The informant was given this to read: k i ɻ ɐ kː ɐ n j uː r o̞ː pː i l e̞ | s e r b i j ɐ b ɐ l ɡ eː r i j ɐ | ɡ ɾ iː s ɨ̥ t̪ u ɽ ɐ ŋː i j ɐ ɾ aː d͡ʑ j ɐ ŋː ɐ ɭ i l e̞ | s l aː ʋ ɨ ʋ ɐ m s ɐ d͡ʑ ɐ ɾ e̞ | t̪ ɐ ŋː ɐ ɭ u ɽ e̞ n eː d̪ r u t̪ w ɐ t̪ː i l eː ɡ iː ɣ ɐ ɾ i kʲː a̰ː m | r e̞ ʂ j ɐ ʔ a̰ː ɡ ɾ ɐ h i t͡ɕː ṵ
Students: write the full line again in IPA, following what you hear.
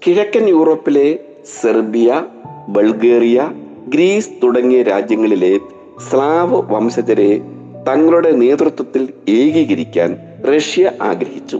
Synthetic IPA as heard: k i ɻ ɐ kː ɐ n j uː r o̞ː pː i l e̞ | s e r b i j ɐ b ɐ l ɡ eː r i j ɐ | ɡ ɾ iː s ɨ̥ t̪ u ɽ ɐ ŋː i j ɐ ɾ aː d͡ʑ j ɐ ŋː ɐ ɭ i l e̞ | s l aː ʋ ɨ ʋ ɐ m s ɐ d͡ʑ ɐ ɾ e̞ | t̪ ɐ ŋː ɐ ɭ u ɽ e̞ n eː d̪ r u t̪ w ɐ t̪ː i l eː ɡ iː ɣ ɐ ɾ i kʲː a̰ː n | r e̞ ʂ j ɐ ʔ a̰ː ɡ ɾ ɐ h i t͡ɕː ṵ